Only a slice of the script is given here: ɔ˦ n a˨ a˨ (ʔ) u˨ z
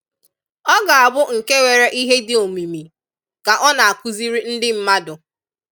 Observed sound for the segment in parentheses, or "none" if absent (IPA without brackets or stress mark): k